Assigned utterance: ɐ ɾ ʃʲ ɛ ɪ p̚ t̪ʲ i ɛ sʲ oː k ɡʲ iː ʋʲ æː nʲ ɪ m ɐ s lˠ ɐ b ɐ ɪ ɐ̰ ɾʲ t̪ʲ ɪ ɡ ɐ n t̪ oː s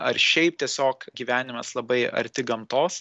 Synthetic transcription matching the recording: ɐ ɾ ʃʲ ɛ ɪ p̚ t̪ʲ i ɛ sʲ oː k ɡʲ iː ʋʲ æː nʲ ɪ m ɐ s lˠ ɐ b ɐ ɪ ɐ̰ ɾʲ t̪ʲ ɪ ɡ ɐ m t̪ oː s